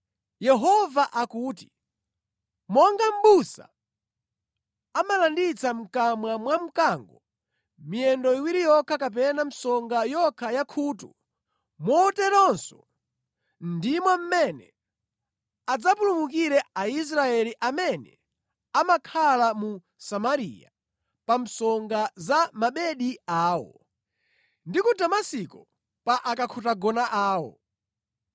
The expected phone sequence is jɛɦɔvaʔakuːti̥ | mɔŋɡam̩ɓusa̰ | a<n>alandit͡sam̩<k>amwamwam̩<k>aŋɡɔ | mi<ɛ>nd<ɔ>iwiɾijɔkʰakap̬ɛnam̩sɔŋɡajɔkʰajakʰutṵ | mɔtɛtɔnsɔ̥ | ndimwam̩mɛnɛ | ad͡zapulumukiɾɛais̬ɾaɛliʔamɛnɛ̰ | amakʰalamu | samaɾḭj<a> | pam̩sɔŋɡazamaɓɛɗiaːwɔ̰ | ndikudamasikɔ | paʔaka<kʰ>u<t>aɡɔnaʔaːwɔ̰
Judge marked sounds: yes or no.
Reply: no, yes, yes, yes, yes, yes, yes, yes

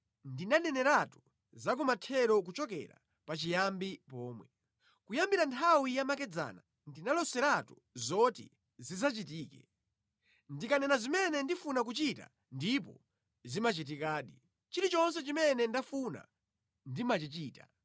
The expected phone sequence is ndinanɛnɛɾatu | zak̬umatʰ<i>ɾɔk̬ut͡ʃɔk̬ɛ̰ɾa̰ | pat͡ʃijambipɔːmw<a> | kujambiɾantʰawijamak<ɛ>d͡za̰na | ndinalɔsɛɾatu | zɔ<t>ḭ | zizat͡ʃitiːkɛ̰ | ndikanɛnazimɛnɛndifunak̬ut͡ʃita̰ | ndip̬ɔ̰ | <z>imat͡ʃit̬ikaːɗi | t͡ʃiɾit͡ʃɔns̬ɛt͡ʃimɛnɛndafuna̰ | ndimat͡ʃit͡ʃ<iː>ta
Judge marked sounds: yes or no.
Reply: no, no, yes, yes, yes, yes

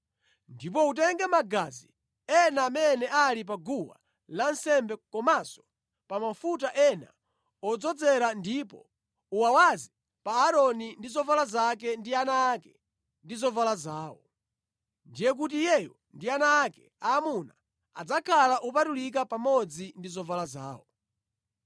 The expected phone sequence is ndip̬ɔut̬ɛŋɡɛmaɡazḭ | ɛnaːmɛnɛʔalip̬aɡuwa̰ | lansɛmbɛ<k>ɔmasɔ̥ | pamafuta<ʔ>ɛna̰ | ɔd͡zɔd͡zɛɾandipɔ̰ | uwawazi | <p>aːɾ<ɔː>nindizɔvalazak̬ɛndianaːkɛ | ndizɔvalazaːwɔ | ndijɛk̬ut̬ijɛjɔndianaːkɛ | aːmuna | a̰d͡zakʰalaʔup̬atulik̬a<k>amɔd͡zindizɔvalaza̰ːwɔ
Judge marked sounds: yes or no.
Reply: yes, yes, yes, no, no

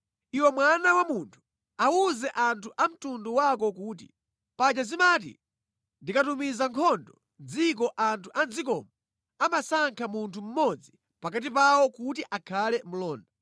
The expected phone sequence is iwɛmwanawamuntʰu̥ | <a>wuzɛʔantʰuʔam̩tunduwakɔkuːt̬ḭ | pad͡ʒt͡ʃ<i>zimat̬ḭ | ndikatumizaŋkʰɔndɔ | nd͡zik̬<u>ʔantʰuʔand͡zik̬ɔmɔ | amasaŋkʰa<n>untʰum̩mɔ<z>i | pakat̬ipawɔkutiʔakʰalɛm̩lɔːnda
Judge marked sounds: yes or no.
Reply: yes, no, no, no, no

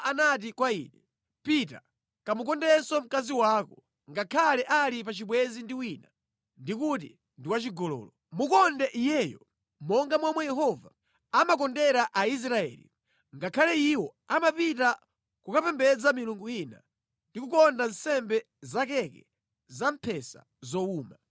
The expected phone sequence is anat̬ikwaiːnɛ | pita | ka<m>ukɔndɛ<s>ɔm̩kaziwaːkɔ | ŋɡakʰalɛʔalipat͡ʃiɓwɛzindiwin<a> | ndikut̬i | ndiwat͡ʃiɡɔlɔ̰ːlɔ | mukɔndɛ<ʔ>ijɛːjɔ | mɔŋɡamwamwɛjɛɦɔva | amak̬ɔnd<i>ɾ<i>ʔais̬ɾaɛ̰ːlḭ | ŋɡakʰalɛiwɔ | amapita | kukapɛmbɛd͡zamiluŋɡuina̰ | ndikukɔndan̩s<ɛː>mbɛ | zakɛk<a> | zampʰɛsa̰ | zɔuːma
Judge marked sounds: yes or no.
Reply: yes, yes, yes, yes, no, no, no, no

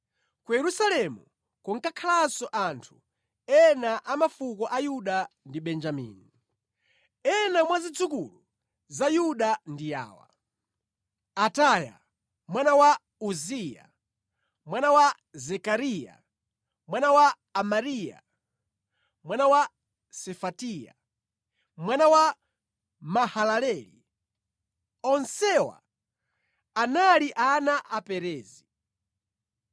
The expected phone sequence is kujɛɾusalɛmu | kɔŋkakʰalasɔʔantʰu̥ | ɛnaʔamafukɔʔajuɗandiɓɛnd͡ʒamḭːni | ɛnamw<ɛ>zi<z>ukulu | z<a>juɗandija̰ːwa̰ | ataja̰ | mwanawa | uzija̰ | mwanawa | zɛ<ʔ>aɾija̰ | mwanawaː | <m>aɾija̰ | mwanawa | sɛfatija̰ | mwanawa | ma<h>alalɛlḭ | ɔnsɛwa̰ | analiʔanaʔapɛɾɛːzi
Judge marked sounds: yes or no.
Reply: no, no, yes, no, yes, yes

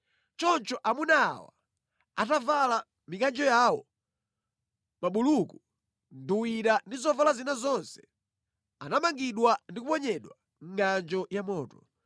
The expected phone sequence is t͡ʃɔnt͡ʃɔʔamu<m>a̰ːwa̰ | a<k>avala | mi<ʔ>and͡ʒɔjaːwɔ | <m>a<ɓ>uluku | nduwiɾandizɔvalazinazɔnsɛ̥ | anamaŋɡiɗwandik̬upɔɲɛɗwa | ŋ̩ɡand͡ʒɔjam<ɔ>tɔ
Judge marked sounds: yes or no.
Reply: no, no, no, yes, yes, no

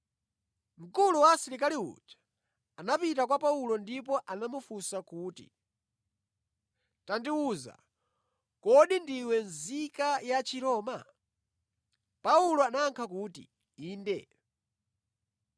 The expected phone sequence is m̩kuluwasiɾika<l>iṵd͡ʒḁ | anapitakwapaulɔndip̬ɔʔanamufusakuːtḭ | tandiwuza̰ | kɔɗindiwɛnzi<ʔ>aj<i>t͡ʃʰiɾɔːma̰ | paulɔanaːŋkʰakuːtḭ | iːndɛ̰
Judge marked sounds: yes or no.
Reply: yes, no, no

